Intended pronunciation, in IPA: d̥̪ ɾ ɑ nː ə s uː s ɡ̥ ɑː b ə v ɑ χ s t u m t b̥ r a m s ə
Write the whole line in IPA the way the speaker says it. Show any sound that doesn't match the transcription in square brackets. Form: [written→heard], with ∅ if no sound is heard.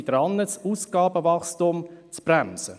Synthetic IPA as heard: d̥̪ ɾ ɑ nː ə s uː s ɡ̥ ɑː b ə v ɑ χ s t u m [t→t͡s] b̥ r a m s ə